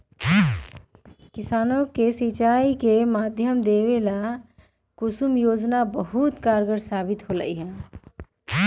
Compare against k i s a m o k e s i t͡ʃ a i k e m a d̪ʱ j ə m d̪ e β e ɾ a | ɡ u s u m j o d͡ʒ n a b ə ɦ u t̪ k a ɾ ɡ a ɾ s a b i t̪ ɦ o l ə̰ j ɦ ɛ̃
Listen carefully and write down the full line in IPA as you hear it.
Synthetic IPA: k i s a n o k e s i t͡ʃ a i k e m a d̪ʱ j ə m d̪ e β e l a | k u s u m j o d͡ʒ n a b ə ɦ u t̪ k a ɾ ɡ ə ɾ s a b i t̪ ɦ o l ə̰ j ɦ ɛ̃